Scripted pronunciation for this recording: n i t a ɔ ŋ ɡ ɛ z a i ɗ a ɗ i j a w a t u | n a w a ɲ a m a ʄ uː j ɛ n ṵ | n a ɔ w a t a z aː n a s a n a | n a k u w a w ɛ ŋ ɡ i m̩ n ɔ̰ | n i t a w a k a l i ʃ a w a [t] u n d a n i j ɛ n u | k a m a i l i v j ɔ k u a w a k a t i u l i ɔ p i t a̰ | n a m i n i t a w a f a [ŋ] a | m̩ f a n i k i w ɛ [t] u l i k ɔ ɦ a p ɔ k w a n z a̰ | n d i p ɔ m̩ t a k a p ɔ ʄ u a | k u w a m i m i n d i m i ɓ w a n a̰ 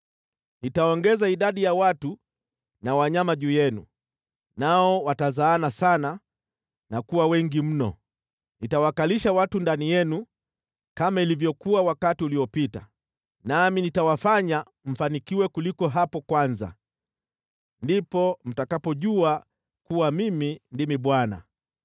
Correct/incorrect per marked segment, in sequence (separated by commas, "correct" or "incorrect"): correct, incorrect, incorrect